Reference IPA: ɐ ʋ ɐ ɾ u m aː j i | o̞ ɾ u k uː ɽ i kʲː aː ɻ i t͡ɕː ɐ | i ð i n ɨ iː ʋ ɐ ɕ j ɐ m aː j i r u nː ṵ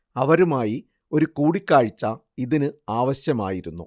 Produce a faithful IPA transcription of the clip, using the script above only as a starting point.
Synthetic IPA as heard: ɐ ʋ ɐ ɾ u m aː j i | o̞ ɾ u k uː ɽ i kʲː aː ɻ i t͡ɕː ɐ | i ð i n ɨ aː ʋ ɐ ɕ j ɐ m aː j i ɾ u nː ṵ